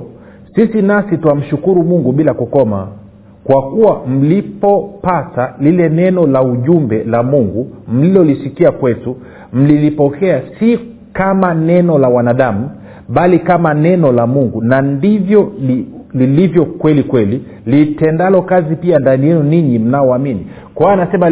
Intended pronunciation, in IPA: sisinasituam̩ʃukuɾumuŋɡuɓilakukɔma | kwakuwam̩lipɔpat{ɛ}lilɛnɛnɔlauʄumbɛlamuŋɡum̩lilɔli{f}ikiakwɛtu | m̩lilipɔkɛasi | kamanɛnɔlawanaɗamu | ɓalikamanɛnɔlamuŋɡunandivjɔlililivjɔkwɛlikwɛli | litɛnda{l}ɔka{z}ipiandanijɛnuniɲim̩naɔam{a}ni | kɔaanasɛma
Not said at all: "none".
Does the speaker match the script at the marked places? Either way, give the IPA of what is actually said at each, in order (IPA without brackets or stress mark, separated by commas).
a, s, l, z, i